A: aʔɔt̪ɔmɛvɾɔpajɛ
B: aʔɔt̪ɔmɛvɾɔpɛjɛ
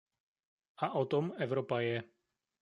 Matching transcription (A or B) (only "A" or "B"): A